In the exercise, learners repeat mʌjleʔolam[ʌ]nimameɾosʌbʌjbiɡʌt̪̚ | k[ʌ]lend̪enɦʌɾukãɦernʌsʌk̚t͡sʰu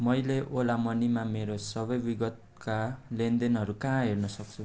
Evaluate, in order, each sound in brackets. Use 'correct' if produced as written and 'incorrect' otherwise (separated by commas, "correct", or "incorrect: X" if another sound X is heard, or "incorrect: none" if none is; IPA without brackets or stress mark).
correct, incorrect: a